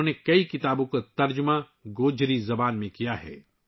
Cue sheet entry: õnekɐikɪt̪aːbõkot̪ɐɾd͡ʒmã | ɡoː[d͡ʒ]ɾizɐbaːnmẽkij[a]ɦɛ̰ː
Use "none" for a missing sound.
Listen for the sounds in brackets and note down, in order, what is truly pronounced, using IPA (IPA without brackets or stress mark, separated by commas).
d͡ʒ, a